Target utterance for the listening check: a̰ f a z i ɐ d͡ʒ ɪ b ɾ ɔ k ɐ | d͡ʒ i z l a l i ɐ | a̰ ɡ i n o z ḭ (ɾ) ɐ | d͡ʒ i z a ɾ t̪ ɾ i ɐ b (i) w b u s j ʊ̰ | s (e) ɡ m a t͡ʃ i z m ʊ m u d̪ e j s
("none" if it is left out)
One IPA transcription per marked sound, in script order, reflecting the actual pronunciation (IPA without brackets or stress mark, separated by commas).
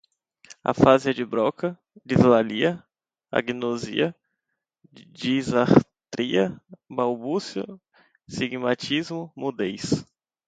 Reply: none, a, i